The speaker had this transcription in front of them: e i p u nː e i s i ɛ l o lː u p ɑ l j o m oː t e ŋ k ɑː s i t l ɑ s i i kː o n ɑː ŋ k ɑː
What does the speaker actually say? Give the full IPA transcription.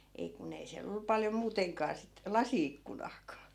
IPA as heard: e i k u n e i s i æ l o lː u p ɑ l j o m uː t e ŋ k ɑː s i t l ɑ s i i kː u n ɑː k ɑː